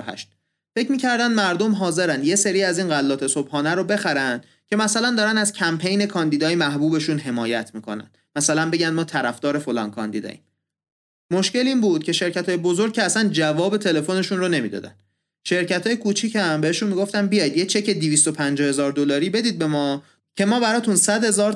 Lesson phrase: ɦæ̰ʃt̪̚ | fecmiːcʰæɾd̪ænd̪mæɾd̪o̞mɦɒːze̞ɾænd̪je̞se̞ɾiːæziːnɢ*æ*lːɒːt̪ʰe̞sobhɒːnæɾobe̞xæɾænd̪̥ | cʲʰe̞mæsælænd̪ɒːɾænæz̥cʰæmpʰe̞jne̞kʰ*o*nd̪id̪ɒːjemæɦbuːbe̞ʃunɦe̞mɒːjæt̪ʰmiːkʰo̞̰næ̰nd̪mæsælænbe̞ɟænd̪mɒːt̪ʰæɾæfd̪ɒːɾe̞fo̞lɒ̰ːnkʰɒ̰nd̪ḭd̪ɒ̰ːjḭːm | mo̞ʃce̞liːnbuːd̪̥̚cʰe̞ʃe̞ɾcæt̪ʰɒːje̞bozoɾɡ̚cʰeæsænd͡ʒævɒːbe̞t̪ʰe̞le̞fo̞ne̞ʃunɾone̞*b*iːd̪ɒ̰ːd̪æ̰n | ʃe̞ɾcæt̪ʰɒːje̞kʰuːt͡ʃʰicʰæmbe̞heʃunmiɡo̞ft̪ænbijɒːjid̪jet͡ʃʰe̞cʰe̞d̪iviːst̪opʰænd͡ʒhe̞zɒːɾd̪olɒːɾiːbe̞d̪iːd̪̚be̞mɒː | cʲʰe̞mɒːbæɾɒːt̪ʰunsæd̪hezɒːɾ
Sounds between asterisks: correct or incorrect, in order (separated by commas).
correct, incorrect, incorrect